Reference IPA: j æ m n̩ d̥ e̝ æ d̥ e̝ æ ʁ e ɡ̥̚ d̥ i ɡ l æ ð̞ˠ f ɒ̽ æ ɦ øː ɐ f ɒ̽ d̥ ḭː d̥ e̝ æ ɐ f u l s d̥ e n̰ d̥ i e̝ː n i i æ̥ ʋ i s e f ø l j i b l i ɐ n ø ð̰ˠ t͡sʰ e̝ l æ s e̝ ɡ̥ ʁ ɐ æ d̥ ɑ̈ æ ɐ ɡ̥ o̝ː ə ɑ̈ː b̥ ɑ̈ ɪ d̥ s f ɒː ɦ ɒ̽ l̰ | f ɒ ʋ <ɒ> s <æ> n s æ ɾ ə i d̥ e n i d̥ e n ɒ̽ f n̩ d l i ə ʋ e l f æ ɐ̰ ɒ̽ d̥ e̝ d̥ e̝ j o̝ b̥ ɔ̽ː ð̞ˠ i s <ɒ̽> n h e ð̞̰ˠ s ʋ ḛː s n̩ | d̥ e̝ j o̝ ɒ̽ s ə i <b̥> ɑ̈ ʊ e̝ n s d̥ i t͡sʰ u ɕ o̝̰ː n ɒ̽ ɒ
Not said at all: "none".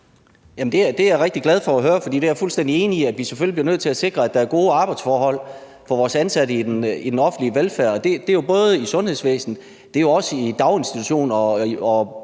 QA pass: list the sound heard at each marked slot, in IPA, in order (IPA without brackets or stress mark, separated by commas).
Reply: ɒː, æ, ɔ̽, d̥